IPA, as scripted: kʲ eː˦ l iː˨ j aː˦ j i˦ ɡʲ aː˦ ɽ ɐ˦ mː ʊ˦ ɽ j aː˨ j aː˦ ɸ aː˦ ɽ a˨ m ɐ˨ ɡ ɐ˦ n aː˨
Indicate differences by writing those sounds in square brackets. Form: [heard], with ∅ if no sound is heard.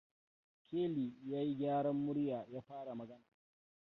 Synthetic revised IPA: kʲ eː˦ l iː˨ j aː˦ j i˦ ɡʲ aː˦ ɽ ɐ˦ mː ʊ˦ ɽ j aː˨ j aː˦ ɸ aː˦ ɽ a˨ m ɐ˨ ɡ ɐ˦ n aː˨